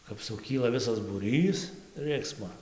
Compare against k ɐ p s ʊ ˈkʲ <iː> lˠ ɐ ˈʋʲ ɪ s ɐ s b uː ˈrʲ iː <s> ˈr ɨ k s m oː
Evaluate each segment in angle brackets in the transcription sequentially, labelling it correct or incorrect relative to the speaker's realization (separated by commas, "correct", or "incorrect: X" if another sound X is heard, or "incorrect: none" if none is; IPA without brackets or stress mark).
correct, correct